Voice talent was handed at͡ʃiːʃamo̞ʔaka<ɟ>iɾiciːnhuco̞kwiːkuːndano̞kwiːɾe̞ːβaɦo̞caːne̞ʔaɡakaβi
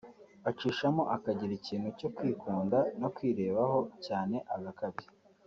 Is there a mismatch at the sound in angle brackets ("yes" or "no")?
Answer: no